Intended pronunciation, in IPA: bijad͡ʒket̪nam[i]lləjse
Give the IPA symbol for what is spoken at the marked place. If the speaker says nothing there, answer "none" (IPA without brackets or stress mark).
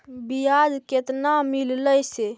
i